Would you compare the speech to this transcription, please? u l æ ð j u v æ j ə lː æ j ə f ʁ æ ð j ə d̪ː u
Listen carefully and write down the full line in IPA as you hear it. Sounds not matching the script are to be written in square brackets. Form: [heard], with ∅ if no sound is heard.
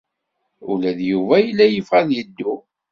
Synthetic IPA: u l æ ð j u v æ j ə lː æ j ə f ʁ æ ð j ə d̪ː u